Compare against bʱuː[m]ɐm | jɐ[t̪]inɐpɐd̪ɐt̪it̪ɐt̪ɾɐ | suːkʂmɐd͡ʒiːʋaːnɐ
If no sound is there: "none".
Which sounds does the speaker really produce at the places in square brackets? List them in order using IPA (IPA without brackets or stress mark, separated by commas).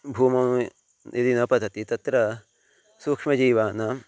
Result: m, d̪